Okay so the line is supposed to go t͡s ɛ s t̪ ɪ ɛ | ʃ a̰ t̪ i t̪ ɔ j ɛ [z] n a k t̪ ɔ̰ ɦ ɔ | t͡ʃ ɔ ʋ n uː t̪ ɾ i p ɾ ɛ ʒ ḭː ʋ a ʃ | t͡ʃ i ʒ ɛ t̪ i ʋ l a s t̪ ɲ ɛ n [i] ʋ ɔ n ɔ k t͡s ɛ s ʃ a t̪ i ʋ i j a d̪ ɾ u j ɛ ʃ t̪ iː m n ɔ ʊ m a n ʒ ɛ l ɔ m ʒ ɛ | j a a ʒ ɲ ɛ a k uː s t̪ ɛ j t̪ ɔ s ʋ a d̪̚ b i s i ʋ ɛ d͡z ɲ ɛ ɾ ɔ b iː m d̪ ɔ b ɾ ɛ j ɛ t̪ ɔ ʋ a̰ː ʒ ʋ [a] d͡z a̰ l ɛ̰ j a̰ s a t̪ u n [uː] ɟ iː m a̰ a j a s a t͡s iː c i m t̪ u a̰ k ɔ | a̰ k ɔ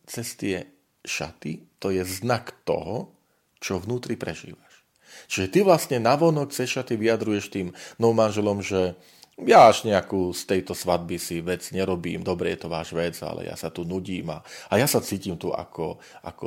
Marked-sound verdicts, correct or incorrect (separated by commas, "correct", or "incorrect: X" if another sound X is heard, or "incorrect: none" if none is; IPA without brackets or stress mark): correct, incorrect: a, incorrect: ɛ, incorrect: u